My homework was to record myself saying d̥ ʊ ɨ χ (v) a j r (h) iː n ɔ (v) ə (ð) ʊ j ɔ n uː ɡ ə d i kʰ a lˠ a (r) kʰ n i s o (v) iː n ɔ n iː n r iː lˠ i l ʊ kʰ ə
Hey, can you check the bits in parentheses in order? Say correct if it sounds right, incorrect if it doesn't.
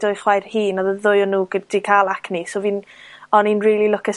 incorrect, correct, incorrect, correct, incorrect, correct

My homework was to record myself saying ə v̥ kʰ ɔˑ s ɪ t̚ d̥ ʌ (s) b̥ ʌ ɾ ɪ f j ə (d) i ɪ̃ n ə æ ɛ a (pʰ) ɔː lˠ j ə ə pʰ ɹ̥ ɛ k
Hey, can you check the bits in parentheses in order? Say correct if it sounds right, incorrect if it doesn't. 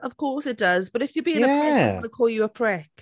incorrect, incorrect, incorrect

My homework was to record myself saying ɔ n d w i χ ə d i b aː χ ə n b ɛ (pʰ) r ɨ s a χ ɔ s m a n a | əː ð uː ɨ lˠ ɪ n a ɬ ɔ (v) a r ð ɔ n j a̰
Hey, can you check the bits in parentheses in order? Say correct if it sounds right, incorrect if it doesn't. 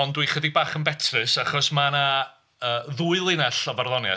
incorrect, correct

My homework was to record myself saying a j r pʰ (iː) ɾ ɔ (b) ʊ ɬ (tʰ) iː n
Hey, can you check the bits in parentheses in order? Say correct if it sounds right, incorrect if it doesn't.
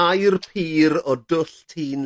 correct, incorrect, correct

